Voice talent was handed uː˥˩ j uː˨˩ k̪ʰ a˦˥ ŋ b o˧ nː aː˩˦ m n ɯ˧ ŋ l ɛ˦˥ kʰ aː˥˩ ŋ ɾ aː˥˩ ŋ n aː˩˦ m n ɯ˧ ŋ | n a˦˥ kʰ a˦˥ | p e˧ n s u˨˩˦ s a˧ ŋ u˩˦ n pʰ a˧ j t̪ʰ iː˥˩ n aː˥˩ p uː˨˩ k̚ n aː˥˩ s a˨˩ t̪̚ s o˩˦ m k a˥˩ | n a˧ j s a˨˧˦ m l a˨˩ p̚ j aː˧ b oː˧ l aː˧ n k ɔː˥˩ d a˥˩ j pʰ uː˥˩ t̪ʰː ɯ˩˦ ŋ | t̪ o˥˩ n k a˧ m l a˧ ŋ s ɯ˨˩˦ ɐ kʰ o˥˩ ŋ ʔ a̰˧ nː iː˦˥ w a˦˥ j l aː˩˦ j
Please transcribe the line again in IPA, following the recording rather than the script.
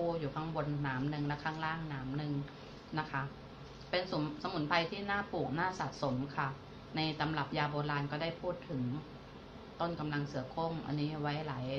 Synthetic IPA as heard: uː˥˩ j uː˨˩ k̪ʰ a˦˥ ŋ b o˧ nː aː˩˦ m n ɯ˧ ŋ l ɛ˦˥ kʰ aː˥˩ ŋ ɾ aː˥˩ ŋ n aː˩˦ m n ɯ˧ ŋ | n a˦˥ kʰ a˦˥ | p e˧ n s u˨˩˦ s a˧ m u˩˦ n pʰ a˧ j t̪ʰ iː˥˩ n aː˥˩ p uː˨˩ k̚ n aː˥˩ s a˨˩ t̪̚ s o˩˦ m kʰ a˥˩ | n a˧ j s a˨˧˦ m l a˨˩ p̚ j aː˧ b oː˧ l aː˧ n k ɔː˥˩ d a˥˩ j pʰ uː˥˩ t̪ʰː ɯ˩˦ ŋ | t̪ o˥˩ n k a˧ m l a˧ ŋ s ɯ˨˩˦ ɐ kʰ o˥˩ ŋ ʔ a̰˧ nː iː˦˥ w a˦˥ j l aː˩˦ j